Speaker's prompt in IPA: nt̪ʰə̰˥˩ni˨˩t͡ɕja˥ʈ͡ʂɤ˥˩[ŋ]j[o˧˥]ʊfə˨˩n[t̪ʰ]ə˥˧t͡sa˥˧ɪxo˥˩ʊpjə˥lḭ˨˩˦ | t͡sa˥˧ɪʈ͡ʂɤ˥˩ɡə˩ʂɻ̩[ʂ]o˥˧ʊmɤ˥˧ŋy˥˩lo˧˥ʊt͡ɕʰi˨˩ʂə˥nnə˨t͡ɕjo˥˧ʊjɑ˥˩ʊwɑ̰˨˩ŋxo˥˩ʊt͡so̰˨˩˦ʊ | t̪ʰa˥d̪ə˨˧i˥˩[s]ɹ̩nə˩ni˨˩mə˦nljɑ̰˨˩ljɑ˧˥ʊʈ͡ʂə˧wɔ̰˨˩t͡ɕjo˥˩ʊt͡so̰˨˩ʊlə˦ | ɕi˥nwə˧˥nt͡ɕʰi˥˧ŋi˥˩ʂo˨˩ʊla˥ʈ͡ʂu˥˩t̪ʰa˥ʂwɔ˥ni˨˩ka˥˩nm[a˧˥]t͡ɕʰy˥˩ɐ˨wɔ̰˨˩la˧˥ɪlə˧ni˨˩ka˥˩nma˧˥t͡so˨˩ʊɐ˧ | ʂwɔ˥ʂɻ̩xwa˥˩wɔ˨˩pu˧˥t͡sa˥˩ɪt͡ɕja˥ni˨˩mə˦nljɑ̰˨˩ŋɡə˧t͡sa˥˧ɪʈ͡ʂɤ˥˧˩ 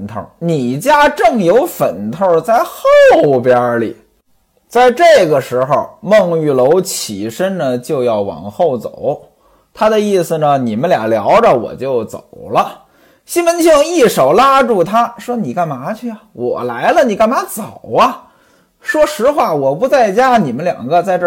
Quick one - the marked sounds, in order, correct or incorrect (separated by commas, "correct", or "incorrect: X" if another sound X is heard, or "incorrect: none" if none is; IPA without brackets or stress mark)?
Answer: correct, correct, correct, incorrect: x, correct, correct